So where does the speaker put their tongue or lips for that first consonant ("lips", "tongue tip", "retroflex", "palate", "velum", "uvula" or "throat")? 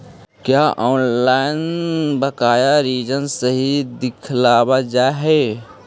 velum